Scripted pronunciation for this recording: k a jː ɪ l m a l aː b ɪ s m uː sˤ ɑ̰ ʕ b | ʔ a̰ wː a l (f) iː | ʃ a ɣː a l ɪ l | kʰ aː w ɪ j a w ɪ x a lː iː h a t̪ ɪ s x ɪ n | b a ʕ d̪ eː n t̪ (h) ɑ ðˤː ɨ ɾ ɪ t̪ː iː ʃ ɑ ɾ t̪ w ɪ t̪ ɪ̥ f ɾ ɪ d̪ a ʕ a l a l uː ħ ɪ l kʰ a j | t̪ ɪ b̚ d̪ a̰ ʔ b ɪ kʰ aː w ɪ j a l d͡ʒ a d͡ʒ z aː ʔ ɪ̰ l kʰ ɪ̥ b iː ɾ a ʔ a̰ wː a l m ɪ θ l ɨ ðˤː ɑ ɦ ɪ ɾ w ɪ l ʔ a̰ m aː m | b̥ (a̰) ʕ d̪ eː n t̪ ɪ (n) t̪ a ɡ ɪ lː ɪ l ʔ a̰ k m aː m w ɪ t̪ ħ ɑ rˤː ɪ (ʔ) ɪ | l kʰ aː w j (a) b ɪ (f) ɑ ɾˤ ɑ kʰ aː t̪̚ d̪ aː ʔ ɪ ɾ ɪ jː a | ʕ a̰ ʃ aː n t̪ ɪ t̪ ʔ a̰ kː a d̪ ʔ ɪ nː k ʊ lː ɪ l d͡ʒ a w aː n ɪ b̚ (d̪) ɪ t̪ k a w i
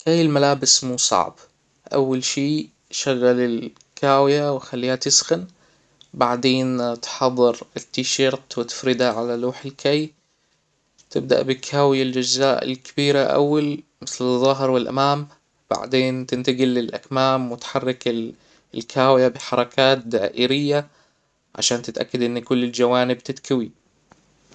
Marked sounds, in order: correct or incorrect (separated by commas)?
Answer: incorrect, incorrect, correct, correct, incorrect, correct, incorrect, incorrect